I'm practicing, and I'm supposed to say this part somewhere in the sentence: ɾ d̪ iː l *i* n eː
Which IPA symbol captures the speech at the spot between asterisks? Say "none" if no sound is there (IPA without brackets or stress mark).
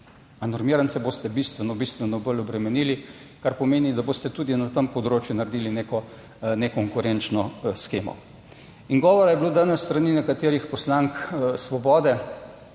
i